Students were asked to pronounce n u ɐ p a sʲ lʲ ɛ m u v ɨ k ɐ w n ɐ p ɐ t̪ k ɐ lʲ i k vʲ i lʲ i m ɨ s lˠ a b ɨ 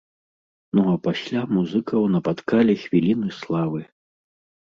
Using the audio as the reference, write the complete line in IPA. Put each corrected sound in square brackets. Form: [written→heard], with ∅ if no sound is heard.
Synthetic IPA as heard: n u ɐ p a sʲ lʲ [ɛ→a] m u [v→z] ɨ k ɐ w n ɐ p [ɐ→a] t̪ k [ɐ→a] lʲ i [k→x] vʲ i lʲ i [m→n] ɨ s lˠ a [b→v] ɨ